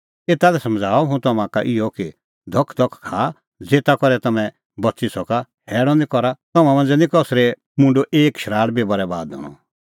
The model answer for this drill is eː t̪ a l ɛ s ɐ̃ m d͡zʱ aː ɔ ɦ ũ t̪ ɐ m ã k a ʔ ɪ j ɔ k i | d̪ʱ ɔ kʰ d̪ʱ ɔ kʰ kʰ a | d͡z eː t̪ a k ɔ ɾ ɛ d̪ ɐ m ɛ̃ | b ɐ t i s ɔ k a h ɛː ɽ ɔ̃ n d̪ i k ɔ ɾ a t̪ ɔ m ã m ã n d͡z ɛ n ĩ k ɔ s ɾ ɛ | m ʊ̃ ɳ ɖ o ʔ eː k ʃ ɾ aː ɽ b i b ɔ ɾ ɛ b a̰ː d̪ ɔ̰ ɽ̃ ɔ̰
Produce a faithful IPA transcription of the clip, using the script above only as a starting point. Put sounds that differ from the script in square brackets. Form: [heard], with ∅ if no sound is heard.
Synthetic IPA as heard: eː t̪ a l ɛ s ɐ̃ m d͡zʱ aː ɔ ɦ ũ t̪ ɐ m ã k a ʔ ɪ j ɔ k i | d̪ʱ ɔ kʰ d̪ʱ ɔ kʰ kʰ a | d͡z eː t̪ a k ɔ ɾ ɛ [t̪] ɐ m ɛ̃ | b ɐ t i s ɔ k a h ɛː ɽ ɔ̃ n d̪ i k ɔ ɾ a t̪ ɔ m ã m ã n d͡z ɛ n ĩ k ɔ s ɾ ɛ | m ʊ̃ ɳ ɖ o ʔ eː k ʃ ɾ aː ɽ b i b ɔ ɾ ɛ b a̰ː d̪ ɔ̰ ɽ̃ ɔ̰